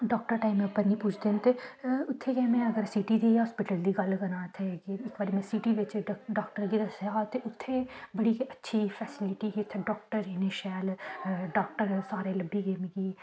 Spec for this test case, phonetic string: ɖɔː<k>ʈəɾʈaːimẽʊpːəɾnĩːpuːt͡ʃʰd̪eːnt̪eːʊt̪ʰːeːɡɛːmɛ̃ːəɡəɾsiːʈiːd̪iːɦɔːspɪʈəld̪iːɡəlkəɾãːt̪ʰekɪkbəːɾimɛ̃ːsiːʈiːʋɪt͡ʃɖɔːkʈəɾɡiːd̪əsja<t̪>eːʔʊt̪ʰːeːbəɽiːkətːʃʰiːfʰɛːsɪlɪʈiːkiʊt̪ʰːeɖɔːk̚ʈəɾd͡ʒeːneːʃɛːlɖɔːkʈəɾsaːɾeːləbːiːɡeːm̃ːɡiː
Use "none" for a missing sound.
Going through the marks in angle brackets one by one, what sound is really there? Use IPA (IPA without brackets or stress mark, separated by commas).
k, t̪